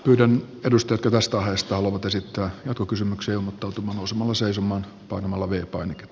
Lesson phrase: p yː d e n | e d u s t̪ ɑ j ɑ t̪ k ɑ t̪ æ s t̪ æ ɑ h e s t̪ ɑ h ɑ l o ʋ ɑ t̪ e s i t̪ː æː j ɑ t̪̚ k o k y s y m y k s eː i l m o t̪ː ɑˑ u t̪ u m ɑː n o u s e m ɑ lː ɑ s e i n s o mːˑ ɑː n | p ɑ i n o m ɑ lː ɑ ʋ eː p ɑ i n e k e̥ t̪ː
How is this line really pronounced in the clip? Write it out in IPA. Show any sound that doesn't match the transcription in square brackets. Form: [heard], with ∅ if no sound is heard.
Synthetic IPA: p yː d [æ] n | e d u s t̪ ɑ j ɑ t̪ k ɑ t̪ æ s t̪ æ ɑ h e s t̪ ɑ h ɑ l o ʋ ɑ t̪ e s i t̪ː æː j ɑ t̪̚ k o k y s y m y k s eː i l m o t̪ː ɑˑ u t̪ u m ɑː n o u s e m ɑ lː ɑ s e i [∅] s o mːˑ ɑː n | p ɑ i n o m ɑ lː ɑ ʋ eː p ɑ i n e k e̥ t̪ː